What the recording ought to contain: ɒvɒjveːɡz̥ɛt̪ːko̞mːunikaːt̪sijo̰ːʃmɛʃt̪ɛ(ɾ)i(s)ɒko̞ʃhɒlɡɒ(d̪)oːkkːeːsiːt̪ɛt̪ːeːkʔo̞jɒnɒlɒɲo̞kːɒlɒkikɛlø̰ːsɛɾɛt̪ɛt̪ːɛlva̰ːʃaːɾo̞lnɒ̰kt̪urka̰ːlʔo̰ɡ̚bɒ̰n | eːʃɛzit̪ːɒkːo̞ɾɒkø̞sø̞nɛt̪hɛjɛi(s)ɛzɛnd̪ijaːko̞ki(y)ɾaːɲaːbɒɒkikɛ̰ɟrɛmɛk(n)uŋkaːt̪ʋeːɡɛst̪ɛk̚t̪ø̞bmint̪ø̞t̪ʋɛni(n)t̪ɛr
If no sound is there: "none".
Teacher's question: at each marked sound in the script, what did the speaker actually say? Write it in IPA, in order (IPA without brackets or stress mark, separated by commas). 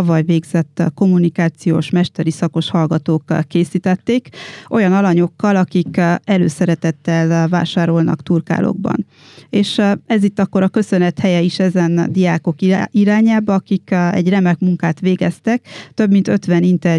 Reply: ɾ, s, t̪, ʃ, i, m, n